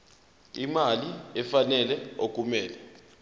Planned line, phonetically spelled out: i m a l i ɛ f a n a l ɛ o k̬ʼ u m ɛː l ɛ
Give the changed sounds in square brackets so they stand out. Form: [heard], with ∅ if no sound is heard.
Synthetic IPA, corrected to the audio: i m a l i ɛ f a n [ɛ] l ɛ o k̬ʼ u m ɛː l ɛ